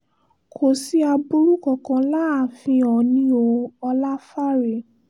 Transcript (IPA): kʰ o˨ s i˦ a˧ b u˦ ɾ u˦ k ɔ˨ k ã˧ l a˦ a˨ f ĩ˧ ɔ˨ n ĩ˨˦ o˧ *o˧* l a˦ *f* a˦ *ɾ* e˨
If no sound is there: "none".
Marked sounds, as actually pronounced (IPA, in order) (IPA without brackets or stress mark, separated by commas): ɔ˧, f, ɾ